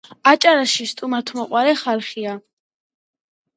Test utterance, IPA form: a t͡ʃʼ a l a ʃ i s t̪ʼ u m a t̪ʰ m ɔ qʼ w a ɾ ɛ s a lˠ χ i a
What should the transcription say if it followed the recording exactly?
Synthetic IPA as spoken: a t͡ʃʼ a ɾ a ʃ i s t̪ʼ u m a t̪ʰ m ɔ qʼ w a ɾ ɛ χ a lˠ χ i a